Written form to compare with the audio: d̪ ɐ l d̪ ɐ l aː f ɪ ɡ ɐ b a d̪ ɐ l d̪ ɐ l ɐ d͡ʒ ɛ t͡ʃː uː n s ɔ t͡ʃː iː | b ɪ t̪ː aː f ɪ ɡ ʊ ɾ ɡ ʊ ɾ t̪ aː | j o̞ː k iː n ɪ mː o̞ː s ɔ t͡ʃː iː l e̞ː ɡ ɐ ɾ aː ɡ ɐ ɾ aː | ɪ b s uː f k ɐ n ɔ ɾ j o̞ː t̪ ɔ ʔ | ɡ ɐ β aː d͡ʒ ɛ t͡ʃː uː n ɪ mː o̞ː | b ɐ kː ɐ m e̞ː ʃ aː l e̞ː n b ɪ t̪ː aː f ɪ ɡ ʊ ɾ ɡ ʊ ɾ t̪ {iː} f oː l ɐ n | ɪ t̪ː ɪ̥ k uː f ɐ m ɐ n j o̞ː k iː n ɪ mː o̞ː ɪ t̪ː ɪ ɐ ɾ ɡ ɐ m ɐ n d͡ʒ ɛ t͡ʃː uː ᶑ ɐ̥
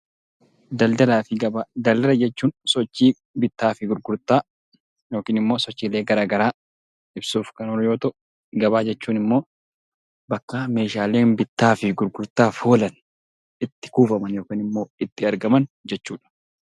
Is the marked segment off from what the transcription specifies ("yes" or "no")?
yes